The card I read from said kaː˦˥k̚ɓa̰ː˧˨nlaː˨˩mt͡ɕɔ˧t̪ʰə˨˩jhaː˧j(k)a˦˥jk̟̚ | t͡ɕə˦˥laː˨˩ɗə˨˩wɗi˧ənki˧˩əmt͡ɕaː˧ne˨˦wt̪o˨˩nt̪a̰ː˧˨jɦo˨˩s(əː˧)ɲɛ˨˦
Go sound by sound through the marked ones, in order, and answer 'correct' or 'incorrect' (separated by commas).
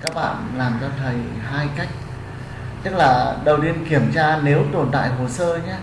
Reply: correct, correct